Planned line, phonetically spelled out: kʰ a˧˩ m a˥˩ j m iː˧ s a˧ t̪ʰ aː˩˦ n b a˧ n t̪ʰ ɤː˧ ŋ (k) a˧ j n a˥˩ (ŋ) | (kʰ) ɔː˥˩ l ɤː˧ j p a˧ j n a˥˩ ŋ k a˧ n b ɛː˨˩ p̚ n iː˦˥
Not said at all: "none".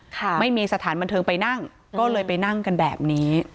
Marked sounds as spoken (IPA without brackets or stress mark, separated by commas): p, ŋ, k